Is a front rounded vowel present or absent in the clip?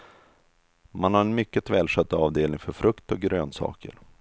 present